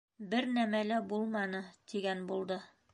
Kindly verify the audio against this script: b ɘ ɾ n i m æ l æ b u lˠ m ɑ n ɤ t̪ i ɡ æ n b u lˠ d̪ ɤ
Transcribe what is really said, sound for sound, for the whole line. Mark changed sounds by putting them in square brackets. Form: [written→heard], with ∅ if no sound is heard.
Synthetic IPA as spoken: b ɘ ɾ n [i→æ] m æ l æ b u lˠ m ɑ n ɤ t̪ i ɡ æ n b u lˠ d̪ ɤ